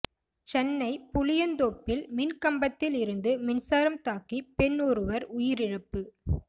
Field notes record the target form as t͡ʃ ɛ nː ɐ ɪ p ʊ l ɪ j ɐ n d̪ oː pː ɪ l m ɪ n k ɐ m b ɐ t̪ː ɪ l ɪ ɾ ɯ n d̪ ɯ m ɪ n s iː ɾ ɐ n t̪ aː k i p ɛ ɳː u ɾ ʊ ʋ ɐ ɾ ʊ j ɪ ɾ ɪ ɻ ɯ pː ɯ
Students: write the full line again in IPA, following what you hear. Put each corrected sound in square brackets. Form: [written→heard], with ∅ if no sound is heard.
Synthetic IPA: t͡ʃ ɛ nː ɐ ɪ p ʊ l ɪ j ɐ n d̪ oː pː ɪ l m ɪ n k ɐ m b ɐ t̪ː ɪ l ɪ ɾ ɯ n d̪ ɯ m ɪ n s [iː→aː] ɾ ɐ [n→m] t̪ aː k i p ɛ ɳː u ɾ [ʊ→ɯ] ʋ ɐ ɾ ʊ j ɪ ɾ ɪ ɻ ɯ pː ɯ